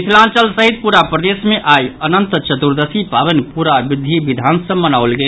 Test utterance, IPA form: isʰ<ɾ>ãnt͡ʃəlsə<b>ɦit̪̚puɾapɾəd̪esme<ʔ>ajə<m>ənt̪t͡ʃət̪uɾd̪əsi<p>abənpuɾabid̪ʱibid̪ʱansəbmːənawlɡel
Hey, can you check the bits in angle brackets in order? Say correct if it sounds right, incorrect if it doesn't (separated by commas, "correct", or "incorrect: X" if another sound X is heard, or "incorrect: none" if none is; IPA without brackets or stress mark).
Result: incorrect: l, incorrect: none, correct, incorrect: n, correct